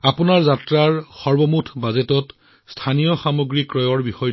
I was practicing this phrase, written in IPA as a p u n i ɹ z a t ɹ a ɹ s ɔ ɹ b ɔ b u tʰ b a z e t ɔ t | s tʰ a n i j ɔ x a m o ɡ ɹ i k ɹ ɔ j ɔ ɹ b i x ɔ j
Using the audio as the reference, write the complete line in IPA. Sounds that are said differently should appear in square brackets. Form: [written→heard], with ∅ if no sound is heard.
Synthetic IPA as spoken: a p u n [i→a] ɹ z a t ɹ a ɹ [s→x] ɔ ɹ b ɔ [b→m] u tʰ b a z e t ɔ t | s tʰ a n i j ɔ x a m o ɡ ɹ i k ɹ ɔ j ɔ ɹ b i x ɔ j